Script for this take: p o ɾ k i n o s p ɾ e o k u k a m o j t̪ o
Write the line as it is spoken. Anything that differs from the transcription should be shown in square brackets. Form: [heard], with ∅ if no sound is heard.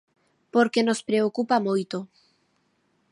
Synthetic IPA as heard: p o ɾ k [e] n o s p ɾ e o k u [p] a m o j t̪ o